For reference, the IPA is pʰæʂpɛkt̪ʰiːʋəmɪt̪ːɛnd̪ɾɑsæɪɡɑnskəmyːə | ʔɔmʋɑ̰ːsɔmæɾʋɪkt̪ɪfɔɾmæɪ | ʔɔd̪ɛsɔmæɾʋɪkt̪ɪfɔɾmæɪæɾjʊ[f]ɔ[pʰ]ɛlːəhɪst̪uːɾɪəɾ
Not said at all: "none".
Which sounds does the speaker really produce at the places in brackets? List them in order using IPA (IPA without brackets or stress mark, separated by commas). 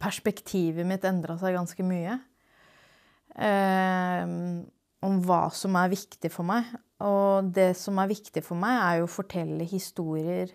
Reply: f, ʈʰ